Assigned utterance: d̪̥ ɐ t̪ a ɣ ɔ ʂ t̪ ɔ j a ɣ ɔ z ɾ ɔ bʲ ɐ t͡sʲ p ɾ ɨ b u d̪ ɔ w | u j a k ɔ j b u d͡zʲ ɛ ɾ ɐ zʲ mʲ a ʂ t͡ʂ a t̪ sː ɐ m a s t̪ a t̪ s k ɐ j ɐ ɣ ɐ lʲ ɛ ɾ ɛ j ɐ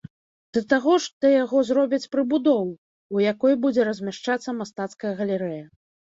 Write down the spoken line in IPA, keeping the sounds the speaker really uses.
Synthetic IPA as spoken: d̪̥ ɐ t̪ a ɣ ɔ ʂ t̪ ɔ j a ɣ ɔ z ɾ ɔ bʲ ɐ t͡sʲ p ɾ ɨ b u d̪ ɔ w | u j a k ɔ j b u d͡zʲ ɛ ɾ ɐ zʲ mʲ a ʂ t͡ʂ a t̪ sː ɐ m a s t̪ a t̪ s k ɐ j ɐ ɣ ɐ lʲ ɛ ɾ ɛ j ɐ